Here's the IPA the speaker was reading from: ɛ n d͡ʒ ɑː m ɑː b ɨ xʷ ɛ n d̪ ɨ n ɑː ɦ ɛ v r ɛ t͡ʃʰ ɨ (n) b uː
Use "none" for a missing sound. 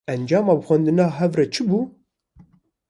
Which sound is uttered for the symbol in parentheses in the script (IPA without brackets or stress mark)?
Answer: none